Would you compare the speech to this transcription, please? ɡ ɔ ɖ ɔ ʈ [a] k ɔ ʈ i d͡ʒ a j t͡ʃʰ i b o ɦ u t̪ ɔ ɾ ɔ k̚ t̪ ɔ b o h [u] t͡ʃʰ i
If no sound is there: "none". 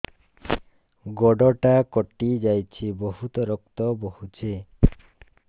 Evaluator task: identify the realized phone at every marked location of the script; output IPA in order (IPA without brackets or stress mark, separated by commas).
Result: a, u